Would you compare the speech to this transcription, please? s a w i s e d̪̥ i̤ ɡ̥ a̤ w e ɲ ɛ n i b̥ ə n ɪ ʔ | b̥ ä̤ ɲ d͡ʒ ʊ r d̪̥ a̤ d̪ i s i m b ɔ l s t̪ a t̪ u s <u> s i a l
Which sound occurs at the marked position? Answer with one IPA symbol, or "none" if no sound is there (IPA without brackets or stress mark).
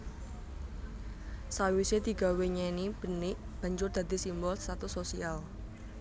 o